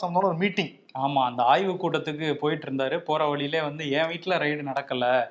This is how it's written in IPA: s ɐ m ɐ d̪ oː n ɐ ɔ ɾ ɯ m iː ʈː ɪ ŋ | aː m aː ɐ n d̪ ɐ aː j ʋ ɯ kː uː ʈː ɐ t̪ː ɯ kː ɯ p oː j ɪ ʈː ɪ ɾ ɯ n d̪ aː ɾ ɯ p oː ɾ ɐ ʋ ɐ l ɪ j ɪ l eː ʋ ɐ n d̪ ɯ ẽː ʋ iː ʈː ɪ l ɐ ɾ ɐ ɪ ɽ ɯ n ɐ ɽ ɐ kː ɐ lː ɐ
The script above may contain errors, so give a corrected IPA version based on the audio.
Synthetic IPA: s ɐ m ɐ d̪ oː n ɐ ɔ ɾ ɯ m iː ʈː ɪ ŋ | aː m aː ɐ n d̪ ɐ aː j ʋ ɯ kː uː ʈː ɐ t̪ː ɯ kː ɯ p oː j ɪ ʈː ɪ ɾ ɯ n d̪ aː ɾ ɯ p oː ɾ ɐ ʋ ɐ ɭ ɪ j ɪ l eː ʋ ɐ n d̪ ɯ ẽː ʋ iː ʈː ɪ l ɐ ɾ ɐ ɪ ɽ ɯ n ɐ ɽ ɐ kː ɐ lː ɐ